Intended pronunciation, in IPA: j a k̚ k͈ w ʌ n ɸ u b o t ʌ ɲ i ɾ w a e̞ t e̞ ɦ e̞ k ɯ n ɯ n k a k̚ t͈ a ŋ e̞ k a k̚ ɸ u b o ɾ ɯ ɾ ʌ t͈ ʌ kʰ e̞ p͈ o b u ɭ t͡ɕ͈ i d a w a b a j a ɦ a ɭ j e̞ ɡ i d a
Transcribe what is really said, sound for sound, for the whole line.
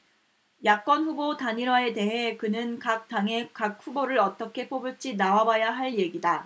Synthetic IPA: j a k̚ k͈ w ʌ n ɸ u b o t a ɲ i ɾ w a e̞ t e̞ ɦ e̞ k ɯ n ɯ n k a k̚ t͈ a ŋ e̞ k a k̚ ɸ u b o ɾ ɯ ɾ ʌ t͈ ʌ kʰ e̞ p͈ o b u ɭ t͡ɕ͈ i n a w a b a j a ɦ a ɭ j e̞ ɡ i d a